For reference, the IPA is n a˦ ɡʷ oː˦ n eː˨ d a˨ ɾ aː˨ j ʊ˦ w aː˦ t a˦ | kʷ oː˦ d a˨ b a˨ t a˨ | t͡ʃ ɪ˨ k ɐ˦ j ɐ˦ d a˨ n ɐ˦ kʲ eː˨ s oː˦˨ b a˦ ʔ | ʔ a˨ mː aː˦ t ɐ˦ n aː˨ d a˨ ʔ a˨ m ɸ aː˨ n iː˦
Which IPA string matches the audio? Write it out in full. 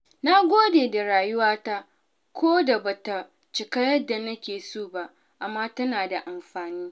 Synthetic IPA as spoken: n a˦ ɡʷ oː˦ d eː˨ d a˨ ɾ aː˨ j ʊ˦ w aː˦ t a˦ | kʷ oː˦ d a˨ b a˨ t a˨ | t͡ʃ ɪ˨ k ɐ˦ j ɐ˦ d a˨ n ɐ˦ kʲ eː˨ s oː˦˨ b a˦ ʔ | ʔ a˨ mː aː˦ t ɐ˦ n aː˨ d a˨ ʔ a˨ m ɸ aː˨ n iː˦

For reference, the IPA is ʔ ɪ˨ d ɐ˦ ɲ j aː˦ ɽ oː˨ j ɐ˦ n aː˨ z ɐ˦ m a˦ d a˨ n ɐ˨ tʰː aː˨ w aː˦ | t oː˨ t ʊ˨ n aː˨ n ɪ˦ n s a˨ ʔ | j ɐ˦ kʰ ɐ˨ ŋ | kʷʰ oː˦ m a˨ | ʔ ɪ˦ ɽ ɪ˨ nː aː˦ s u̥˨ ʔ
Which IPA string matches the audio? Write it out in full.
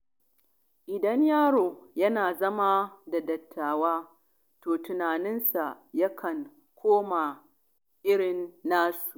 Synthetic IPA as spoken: ʔ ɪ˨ d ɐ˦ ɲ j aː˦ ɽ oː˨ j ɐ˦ n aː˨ z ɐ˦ m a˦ d a˨ d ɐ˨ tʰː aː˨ w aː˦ | t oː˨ t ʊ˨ n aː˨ n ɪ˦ n s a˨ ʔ | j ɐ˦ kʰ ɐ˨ ŋ | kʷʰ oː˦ m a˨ | ʔ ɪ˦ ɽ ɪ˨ nː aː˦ s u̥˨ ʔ

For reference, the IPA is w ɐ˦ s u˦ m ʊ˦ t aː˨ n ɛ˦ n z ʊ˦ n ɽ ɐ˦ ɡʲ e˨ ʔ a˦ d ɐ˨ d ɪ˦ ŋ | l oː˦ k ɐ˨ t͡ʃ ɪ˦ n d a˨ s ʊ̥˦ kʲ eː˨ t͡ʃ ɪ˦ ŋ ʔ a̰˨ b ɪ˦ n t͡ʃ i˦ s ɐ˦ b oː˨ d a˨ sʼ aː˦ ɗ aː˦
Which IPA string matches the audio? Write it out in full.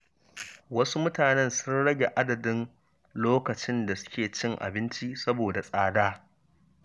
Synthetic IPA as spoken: w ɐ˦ s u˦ m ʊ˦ t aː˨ n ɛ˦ n s ʊ˦ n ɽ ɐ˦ ɡʲ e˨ ʔ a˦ d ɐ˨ d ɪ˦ n | l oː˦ k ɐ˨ t͡ʃ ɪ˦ n d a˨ s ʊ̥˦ kʲ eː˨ t͡ʃ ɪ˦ ŋ ʔ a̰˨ b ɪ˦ n t͡ʃ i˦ s ɐ˦ b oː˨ d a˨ sʼ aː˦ d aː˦

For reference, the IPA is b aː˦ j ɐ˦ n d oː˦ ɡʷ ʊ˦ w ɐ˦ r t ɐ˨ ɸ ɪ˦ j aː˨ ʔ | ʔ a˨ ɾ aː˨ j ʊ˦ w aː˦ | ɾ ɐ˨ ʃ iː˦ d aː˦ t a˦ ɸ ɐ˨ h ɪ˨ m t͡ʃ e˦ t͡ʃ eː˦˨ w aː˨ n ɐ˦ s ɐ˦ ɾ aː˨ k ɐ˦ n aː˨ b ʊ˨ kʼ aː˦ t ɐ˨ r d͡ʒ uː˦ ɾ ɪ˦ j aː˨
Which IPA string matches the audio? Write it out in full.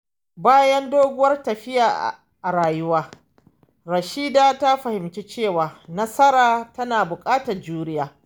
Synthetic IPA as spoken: b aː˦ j ɐ˦ n d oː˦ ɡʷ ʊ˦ w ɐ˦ r t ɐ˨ ɸ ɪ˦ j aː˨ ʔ | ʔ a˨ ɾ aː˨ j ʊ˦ w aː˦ | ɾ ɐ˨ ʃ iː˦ d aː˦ t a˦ ɸ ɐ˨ h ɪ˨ m t͡ʃ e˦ t͡ʃ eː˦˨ w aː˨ n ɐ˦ s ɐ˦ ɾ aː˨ t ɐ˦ n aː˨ b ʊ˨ kʼ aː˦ t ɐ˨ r d͡ʒ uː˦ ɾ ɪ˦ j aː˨

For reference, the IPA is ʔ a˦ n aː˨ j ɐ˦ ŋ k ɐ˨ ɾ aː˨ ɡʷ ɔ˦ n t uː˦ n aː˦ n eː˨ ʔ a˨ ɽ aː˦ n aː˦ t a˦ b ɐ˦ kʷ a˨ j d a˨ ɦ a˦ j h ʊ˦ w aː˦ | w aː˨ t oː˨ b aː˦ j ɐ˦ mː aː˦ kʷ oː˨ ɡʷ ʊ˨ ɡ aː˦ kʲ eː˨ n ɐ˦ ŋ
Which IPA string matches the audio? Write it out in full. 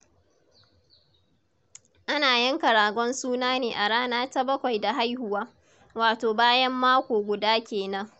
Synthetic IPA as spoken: ʔ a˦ n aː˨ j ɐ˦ ŋ k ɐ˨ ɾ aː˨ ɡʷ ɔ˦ n s uː˦ n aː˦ n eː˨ ʔ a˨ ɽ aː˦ n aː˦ t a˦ b ɐ˦ kʷ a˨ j d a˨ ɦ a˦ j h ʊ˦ w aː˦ | w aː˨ t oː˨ b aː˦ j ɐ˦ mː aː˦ kʷ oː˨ ɡʷ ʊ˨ d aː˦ kʲ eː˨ n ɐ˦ ŋ

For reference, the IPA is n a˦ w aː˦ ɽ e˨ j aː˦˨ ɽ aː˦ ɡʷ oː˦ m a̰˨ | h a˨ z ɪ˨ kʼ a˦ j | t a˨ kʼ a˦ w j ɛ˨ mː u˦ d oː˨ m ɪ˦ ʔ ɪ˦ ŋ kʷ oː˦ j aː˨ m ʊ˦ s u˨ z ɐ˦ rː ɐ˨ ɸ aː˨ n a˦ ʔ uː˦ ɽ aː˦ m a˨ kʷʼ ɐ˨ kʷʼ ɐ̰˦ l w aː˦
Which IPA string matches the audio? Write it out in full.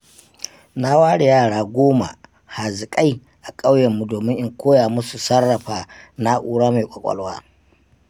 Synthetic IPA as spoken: n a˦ w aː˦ ɽ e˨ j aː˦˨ ɽ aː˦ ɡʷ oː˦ m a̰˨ | h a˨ z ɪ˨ kʼ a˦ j | ʔ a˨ kʼ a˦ w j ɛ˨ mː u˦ d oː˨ m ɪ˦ ʔ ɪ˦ ŋ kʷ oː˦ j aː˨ m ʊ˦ s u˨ s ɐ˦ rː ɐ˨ ɸ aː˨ n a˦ ʔ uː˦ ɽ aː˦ m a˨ kʷʼ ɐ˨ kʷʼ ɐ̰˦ l w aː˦

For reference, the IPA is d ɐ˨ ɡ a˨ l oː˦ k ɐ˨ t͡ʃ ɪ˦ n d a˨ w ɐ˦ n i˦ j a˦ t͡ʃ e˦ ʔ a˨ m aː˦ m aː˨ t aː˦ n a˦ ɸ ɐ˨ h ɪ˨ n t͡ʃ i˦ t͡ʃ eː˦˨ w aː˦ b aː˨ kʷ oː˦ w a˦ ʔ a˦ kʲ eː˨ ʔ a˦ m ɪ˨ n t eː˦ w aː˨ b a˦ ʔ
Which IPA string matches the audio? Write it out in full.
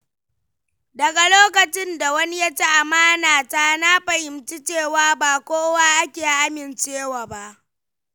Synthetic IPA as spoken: d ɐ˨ ɡ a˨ l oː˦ k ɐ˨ t͡ʃ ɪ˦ n d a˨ w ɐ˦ n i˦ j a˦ t͡ʃ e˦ ʔ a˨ m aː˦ n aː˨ t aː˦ n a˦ ɸ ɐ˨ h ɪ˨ m t͡ʃ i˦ t͡ʃ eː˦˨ w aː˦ b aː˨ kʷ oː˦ w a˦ ʔ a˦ kʲ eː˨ ʔ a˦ m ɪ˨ n t͡ʃ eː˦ w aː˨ b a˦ ʔ

